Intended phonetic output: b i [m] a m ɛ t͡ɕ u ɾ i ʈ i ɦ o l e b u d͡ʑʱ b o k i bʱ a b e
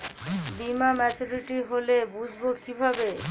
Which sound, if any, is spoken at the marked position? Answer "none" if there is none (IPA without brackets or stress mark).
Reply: m